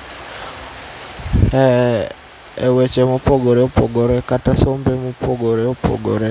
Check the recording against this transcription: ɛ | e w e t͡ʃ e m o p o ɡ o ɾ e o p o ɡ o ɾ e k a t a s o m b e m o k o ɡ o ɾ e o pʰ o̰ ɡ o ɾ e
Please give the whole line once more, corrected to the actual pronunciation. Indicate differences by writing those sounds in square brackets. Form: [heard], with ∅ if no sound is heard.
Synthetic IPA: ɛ | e w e t͡ʃ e m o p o ɡ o ɾ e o p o ɡ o ɾ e k a t a s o m b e m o [p] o ɡ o ɾ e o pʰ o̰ ɡ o ɾ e